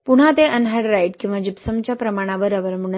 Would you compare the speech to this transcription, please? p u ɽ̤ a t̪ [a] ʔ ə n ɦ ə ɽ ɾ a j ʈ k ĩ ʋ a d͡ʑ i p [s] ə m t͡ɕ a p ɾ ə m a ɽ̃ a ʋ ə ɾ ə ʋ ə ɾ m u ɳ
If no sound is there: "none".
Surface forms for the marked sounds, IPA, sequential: e, s

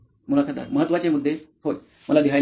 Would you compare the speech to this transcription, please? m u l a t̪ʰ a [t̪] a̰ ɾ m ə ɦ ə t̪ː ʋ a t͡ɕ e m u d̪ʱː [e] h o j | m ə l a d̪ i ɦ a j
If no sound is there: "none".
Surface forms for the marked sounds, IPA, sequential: d̪, e

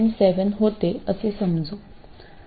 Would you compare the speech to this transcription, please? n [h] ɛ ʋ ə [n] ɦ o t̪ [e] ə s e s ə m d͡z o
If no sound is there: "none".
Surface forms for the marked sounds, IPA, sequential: s, n, e

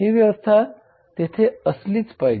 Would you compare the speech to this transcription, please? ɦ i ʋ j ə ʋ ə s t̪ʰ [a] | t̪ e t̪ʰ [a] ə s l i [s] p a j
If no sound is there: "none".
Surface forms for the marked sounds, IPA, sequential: a, e, t͡s

